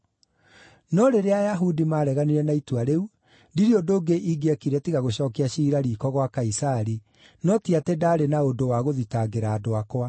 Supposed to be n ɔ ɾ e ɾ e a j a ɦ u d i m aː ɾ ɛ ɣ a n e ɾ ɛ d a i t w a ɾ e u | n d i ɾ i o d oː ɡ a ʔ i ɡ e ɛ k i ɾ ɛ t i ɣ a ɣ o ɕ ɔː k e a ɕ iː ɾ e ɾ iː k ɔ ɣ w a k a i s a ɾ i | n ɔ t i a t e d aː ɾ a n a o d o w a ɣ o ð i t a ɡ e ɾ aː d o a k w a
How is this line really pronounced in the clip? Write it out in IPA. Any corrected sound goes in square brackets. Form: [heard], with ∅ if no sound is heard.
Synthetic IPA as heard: n ɔ ɾ e ɾ e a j a ɦ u d i m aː ɾ ɛ ɣ a n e ɾ ɛ [n] a i t w a ɾ e u | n d i ɾ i o d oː ɡ [e] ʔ i ɡ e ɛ k i ɾ ɛ t i ɣ a ɣ o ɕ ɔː k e a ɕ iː ɾ [a] ɾ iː k ɔ ɣ w a k a i s a ɾ i | n ɔ t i a t e d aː ɾ [e] n a o d o w a ɣ o ð i t a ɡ e ɾ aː d o a k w a

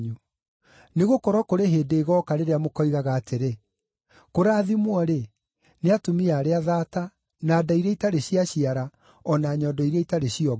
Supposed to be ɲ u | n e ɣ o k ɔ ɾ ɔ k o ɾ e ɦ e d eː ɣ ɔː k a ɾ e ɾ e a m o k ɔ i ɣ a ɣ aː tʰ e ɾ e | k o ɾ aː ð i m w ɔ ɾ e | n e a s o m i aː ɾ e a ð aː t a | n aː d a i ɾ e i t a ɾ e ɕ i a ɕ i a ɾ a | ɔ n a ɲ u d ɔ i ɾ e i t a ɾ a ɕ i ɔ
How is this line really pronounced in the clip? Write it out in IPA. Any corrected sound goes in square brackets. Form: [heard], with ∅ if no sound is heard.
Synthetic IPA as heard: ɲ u | n e ɣ o k ɔ ɾ ɔ k o ɾ e ɦ e d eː ɣ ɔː k a ɾ e ɾ e a m o k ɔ i ɣ a ɣ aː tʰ e ɾ e | k o ɾ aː ð i m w ɔ ɾ e | n e a [t] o m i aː ɾ e a ð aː t a | n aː d a i ɾ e i t a ɾ e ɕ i a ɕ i a ɾ a | ɔ n a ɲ [ɔ] d ɔ i ɾ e i t a ɾ [e] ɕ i ɔ

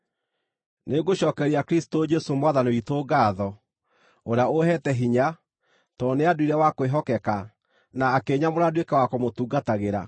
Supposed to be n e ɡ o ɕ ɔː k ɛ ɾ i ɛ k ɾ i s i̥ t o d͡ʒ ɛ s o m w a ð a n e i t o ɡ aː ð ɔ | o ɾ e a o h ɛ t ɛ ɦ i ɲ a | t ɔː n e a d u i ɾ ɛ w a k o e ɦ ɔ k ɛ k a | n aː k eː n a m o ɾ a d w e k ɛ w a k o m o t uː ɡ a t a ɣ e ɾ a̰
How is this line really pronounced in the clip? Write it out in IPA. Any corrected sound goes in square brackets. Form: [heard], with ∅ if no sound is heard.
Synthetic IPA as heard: n e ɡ o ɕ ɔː k ɛ ɾ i [a] k ɾ i s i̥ t o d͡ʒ ɛ s o m w a ð a n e i t o ɡ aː ð ɔ | o ɾ e a o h ɛ t ɛ ɦ i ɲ a | t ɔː n e a d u i ɾ ɛ w a k o e ɦ ɔ k ɛ k a | n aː k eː [ɲ] a m o ɾ a d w e k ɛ w a k o m o t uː ɡ a t a ɣ e ɾ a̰

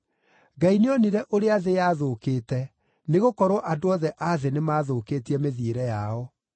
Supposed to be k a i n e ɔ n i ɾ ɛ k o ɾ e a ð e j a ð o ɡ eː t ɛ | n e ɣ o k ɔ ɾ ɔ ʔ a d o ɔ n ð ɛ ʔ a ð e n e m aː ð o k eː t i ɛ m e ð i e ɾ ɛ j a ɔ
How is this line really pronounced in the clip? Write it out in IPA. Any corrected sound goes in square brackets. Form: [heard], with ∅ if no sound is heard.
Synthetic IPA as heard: [ɡ] a i n e ɔ n i ɾ ɛ [ʔ] o ɾ e a ð e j a ð o [k] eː t ɛ | n e ɣ o k ɔ ɾ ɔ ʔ a d o ɔ [∅] ð ɛ ʔ a ð e n e m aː ð o k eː t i ɛ m e ð i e ɾ ɛ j a ɔ

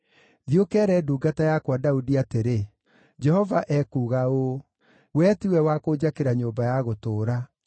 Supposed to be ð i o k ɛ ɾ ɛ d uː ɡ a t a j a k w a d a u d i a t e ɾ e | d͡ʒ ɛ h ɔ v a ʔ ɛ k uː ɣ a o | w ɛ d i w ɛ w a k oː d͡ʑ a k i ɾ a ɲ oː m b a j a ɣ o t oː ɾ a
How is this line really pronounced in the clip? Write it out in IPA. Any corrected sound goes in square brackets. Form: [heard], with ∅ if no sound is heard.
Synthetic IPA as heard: ð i o k ɛ ɾ ɛ d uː ɡ a t a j a k w a d a u d i a t e ɾ e | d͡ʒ ɛ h ɔ v a ʔ ɛ k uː ɣ a o | w ɛ [t] i w ɛ w a k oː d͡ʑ a k [e] ɾ a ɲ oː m b a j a ɣ o t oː ɾ a

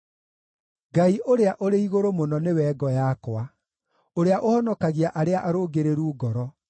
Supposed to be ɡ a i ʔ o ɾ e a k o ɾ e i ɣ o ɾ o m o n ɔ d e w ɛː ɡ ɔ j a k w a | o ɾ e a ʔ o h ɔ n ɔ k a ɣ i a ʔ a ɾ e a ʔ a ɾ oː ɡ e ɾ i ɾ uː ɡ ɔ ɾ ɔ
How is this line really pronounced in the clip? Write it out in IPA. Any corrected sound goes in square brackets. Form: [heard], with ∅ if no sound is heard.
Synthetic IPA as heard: ɡ a i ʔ o ɾ e a [ʔ] o ɾ e i ɣ o ɾ o m o n ɔ [n] e w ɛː ɡ ɔ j a k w a | o ɾ e a ʔ o h ɔ n ɔ k a ɣ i a ʔ a ɾ e a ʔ a ɾ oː ɡ e ɾ [e] ɾ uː ɡ ɔ ɾ ɔ

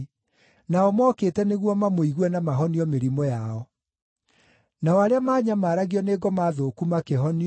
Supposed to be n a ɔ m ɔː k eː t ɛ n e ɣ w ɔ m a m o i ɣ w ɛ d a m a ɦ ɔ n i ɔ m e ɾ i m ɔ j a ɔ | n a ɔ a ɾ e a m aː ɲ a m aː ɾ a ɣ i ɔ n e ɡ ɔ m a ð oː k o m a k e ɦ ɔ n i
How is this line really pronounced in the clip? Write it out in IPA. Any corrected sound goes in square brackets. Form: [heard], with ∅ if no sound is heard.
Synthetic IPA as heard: n a ɔ m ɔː k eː t ɛ n e ɣ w ɔ m a m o i ɣ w ɛ [n] a m a ɦ ɔ n i ɔ m e ɾ i m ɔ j a ɔ | n a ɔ a ɾ e a m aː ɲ a m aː ɾ a ɣ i ɔ n e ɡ ɔ m a ð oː k [u] m a k e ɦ ɔ n i

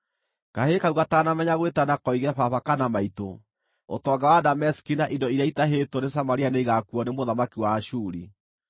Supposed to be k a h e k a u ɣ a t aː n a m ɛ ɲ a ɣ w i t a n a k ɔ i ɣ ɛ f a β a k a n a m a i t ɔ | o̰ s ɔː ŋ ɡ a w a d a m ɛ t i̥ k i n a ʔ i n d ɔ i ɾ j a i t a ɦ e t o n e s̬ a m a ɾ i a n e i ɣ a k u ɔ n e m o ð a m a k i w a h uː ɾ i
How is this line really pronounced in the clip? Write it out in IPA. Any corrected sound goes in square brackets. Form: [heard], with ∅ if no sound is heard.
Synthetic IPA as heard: k a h e k a u ɣ a t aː n a m ɛ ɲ a ɣ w [e] t a n a k ɔ i ɣ ɛ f a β a k a n a m a i t [o] | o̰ [t] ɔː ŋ ɡ a w a d a m ɛ [s] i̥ k i n a ʔ i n d ɔ i ɾ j a i t a ɦ e t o n e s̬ a m a ɾ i a n e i ɣ a k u ɔ n e m o ð a m a k i w a [ʃ] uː ɾ i

